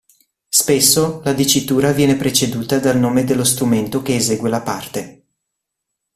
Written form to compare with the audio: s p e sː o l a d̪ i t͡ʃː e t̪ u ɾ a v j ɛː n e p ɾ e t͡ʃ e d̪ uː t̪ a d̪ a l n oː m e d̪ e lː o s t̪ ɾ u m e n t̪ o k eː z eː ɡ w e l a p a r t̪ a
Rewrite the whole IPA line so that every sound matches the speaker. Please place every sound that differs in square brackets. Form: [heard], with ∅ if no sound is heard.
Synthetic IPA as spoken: s p e sː o l a d̪ i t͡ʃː [i] t̪ [uː] ɾ a v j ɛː n e p ɾ e t͡ʃ e d̪ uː t̪ a d̪ a l n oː m e d̪ e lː o s t̪ ɾ u m e n t̪ o k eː z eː ɡ w e l a p a r t̪ [e]